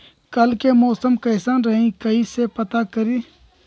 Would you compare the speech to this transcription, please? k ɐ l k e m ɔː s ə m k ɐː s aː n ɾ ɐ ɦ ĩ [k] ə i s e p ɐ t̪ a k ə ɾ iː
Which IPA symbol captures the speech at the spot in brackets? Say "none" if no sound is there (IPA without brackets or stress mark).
k